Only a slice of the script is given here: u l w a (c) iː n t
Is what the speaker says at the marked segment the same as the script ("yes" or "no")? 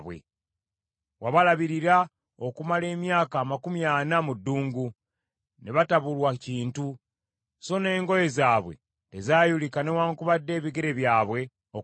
yes